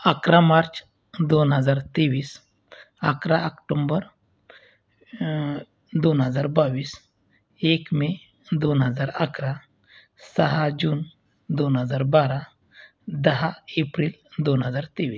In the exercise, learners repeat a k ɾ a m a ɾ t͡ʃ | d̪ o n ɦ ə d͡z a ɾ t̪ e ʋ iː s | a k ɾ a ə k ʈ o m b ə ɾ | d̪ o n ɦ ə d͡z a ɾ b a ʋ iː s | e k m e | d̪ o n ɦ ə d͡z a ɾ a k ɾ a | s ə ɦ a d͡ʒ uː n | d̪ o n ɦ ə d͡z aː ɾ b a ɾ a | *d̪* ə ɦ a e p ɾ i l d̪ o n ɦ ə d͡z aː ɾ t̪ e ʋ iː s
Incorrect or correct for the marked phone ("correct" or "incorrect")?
correct